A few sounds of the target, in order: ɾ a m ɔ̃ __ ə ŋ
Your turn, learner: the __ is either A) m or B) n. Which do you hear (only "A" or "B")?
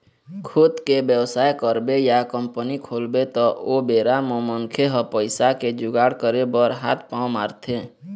A